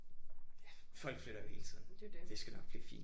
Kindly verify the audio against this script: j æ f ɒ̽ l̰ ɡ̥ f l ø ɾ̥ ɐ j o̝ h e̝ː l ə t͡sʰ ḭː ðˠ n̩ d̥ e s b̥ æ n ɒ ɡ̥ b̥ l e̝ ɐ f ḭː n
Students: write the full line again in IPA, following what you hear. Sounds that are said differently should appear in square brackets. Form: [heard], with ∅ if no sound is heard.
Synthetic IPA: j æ f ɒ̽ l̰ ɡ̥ f l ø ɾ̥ ɐ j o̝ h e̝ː l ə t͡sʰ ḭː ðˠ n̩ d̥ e s [ɡ̥] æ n ɒ ɡ̥ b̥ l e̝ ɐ f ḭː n